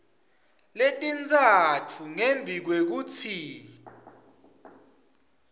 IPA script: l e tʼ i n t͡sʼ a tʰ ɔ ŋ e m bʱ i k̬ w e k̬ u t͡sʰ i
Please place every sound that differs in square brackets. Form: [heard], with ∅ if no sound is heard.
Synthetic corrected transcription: l e tʼ i n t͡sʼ a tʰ [u] ŋ e m bʱ i k̬ w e k̬ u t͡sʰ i